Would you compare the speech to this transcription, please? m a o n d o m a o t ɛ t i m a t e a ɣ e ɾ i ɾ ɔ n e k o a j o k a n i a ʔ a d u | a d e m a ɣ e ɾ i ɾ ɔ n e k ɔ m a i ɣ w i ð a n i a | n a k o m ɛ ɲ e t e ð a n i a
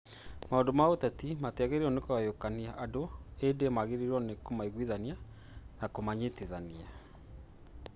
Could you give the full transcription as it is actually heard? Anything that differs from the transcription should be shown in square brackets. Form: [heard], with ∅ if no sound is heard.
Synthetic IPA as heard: m a o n d o m a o t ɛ t i m a t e a ɣ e ɾ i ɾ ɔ n e k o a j o k a n i a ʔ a d [o] | [e] d e m a ɣ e ɾ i ɾ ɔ n e k [o] m a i ɣ w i ð a n i a | n a k o m [a] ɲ e t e ð a n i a